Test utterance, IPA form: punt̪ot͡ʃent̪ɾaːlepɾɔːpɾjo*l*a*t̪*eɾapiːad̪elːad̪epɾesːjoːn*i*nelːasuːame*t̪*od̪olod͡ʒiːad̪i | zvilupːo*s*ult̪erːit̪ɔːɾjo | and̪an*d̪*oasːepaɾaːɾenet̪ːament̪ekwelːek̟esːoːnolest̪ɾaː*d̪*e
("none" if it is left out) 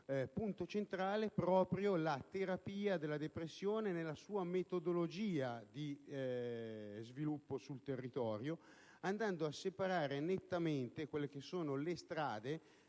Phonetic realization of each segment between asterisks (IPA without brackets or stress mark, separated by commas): l, t̪, e, t̪, s, d̪, d̪